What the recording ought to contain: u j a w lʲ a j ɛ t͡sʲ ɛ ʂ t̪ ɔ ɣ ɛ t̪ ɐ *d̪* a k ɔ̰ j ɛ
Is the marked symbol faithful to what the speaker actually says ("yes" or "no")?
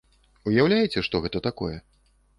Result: no